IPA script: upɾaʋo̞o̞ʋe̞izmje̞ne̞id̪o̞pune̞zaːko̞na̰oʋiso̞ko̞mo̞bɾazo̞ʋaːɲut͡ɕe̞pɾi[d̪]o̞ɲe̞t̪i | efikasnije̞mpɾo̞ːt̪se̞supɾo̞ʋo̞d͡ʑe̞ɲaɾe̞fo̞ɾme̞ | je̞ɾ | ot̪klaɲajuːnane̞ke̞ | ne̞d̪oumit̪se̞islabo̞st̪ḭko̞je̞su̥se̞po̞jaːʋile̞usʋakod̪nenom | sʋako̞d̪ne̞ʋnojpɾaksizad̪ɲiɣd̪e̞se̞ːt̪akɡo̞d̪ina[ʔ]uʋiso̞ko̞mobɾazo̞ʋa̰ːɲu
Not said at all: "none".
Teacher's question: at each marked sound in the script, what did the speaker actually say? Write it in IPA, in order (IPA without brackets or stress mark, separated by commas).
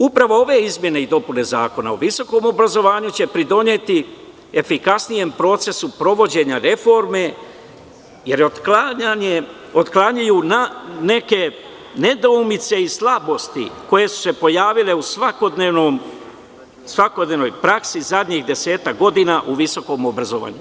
d̪, ʔ